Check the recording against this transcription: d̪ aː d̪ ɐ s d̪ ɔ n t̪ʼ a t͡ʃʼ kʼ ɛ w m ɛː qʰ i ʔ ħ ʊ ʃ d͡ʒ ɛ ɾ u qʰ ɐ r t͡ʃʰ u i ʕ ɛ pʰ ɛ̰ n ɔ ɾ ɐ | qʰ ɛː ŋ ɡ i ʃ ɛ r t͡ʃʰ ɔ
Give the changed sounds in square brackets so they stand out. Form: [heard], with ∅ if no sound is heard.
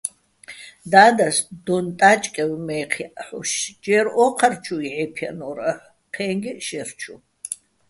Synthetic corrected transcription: d̪ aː d̪ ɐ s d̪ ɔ n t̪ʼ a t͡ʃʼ kʼ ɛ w m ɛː qʰ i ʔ ħ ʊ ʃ d͡ʒ ɛ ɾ [ɔ] qʰ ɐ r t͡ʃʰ u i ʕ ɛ pʰ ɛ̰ n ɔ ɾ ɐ | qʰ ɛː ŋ ɡ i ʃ ɛ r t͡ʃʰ [u]